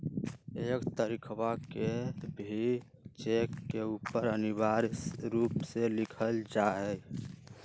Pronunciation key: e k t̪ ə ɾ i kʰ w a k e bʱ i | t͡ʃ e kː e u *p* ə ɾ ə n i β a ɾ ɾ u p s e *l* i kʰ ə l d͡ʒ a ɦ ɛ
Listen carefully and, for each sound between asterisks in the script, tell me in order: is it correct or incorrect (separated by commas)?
correct, correct